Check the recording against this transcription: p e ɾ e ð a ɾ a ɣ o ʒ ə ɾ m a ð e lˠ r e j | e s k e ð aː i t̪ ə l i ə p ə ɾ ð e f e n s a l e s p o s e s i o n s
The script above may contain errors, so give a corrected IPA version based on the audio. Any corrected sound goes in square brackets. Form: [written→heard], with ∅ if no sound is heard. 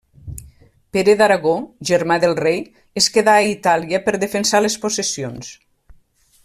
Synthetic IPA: p e ɾ e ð a ɾ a ɣ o ʒ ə ɾ m a ð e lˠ r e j | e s k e ð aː i t̪ [ə→a] l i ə p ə ɾ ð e f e n s a l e s p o s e s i o n s